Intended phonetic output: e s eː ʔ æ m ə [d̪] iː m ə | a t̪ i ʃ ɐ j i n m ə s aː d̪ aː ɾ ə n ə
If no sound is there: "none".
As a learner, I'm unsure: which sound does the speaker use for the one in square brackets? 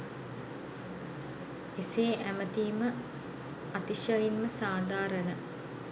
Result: t̪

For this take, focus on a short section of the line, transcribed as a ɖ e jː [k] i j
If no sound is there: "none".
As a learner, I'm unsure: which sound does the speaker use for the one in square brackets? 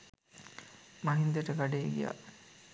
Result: ɡ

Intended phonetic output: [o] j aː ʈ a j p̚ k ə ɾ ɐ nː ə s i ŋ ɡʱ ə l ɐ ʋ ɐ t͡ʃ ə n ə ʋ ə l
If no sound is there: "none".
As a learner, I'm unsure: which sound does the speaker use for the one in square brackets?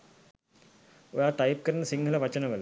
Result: o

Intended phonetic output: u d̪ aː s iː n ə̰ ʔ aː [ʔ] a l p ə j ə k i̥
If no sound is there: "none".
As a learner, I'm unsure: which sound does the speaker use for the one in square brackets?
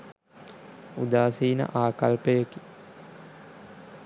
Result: k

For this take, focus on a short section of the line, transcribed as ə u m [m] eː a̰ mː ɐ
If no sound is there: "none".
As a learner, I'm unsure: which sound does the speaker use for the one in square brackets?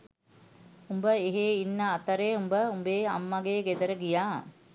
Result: b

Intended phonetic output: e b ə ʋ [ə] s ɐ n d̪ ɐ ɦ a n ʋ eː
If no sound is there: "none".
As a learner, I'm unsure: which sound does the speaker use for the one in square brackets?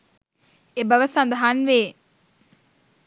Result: ə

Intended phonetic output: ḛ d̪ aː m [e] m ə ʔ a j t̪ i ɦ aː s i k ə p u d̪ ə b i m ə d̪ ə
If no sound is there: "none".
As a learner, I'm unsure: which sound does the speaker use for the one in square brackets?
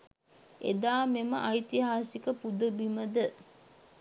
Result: e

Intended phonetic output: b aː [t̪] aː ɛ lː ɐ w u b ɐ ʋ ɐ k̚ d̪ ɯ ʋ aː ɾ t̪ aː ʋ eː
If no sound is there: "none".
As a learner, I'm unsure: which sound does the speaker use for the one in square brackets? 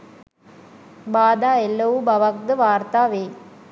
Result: d̪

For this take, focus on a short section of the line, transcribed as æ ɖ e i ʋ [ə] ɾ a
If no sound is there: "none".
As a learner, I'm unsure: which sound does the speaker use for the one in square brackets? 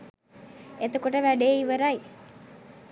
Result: ə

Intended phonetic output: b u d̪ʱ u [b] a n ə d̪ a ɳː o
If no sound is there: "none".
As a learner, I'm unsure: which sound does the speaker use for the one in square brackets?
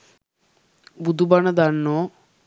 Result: b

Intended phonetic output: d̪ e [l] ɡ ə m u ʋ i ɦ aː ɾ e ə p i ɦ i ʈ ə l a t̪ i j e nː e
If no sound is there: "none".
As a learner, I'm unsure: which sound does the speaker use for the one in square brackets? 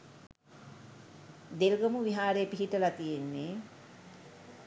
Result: l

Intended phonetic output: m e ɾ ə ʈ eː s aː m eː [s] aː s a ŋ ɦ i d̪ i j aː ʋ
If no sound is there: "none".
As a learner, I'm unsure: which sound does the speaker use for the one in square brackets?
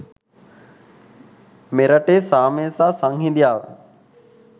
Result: s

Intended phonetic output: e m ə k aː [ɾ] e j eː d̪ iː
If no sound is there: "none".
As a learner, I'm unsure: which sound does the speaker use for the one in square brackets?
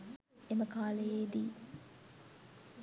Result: l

